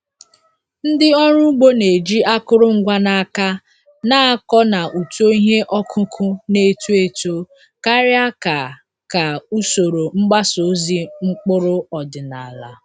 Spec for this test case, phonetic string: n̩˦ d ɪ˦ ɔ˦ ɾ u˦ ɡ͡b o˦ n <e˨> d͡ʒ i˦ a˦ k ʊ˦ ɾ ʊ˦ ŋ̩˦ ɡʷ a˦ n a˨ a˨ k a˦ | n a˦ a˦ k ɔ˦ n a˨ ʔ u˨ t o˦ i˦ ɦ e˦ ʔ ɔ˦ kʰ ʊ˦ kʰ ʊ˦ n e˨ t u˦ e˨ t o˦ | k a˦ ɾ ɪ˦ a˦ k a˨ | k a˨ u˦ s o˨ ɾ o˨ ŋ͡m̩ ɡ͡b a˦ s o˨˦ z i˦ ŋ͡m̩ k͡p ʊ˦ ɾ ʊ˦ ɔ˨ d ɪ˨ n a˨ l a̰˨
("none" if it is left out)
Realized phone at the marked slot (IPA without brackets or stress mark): e˨